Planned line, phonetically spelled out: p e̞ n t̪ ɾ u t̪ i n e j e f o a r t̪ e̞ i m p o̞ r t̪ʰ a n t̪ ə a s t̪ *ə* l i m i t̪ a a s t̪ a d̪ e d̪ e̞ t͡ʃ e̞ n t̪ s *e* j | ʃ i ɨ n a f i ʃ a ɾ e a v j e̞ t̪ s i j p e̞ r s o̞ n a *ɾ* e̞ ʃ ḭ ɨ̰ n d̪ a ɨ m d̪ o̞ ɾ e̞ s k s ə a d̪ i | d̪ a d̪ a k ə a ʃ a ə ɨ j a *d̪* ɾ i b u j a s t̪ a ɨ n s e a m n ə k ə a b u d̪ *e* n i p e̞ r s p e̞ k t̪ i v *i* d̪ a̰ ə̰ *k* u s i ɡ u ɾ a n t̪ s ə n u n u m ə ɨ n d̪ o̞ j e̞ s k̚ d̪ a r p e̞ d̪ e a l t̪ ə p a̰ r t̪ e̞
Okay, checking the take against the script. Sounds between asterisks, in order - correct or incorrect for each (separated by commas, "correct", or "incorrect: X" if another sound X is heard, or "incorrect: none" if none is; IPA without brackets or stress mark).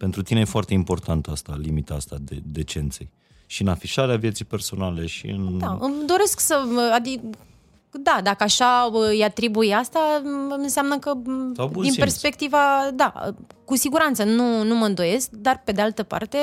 incorrect: a, correct, incorrect: l, incorrect: t̪, incorrect: i, incorrect: a, correct